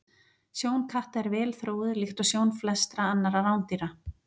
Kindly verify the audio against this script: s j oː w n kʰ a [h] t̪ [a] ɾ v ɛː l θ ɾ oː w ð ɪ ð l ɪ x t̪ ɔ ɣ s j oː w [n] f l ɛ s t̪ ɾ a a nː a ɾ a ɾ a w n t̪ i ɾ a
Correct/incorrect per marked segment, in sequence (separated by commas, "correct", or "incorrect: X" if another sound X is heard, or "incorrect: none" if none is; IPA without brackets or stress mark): correct, incorrect: ɛ, correct